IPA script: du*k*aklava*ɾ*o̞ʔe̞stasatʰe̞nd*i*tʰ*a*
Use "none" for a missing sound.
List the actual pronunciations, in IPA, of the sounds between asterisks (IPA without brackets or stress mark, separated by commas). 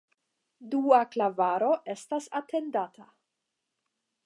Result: none, ɾ, a, a